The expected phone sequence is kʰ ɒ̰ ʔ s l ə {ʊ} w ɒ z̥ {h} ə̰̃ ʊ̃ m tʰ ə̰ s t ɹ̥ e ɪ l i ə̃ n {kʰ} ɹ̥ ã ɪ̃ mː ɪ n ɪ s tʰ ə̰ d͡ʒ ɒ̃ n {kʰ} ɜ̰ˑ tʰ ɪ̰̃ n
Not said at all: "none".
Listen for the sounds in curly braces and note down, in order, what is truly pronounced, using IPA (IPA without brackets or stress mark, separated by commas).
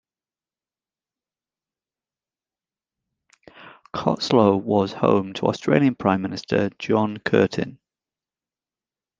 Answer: ʊ, h, pʰ, kʰ